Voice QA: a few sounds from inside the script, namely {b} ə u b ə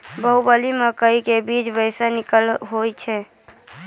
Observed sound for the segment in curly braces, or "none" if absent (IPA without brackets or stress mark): b